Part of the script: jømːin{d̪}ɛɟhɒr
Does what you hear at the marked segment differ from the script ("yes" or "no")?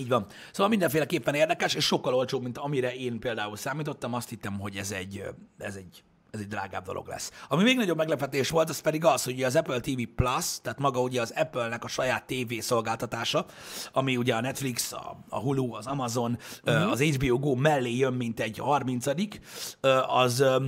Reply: yes